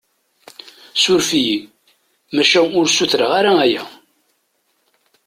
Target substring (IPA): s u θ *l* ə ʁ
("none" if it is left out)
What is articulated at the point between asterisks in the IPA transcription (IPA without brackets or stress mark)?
ɾ